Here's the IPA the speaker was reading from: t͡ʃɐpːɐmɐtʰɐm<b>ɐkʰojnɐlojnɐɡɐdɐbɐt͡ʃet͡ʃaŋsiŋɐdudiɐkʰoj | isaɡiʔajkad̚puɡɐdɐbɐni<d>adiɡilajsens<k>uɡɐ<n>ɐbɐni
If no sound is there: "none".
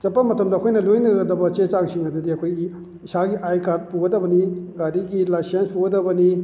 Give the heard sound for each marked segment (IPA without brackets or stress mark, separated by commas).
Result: d, ɡ, p, d